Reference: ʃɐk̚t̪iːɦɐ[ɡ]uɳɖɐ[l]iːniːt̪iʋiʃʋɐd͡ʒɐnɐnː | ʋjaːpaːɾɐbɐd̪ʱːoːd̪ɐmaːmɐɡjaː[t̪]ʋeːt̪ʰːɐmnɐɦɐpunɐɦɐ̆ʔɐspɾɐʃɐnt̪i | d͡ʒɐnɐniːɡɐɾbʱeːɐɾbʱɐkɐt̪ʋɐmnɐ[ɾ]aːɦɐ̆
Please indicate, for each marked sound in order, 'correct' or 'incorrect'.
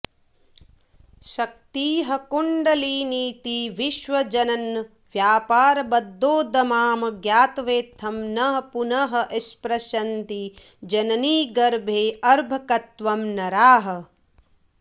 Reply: incorrect, correct, correct, correct

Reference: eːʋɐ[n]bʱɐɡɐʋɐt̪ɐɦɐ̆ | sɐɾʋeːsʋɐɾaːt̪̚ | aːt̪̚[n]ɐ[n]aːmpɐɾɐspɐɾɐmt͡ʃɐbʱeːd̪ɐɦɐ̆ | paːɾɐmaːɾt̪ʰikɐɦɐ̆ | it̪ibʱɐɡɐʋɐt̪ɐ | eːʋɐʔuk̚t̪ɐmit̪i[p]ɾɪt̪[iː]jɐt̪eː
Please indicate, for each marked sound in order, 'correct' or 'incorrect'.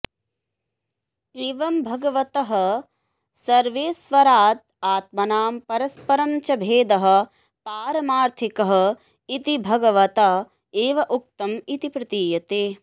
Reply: incorrect, incorrect, correct, correct, correct

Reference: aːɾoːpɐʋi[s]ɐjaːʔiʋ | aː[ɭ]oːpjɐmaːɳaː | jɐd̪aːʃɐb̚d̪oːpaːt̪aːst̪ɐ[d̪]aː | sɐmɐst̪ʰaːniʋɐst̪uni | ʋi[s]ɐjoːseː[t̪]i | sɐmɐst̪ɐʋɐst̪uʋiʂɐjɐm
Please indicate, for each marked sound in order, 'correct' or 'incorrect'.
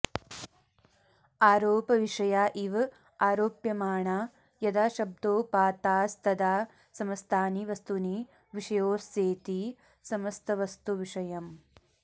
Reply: incorrect, incorrect, correct, incorrect, correct

